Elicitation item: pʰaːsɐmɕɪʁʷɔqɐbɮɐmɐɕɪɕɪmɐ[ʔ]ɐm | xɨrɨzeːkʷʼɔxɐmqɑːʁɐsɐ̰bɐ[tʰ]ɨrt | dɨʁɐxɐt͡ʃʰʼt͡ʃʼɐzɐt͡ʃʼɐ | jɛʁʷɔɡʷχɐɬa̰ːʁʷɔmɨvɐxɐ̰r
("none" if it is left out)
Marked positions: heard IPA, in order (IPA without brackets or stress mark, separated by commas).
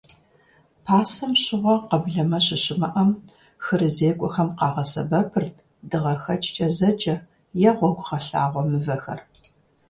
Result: ʔ, pʰ